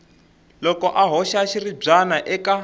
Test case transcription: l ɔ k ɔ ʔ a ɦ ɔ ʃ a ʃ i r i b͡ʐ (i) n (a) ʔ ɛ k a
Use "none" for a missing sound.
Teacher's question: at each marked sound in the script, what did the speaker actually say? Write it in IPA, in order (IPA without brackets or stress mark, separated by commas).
a, a